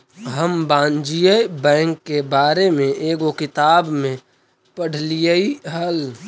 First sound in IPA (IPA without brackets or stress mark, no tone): ɦ